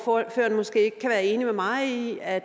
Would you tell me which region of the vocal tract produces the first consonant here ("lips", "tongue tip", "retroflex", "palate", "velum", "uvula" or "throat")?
lips